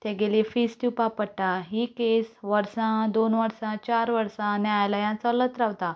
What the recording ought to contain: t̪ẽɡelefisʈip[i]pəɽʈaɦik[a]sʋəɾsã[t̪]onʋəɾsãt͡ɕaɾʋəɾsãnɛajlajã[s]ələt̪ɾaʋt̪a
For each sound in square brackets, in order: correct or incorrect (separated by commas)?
incorrect, incorrect, incorrect, incorrect